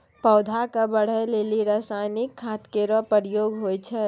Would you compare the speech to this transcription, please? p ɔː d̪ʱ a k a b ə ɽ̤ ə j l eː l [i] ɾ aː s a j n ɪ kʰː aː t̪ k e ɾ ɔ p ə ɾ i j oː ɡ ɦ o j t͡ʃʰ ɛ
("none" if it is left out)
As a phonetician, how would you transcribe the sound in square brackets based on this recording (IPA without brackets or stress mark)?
i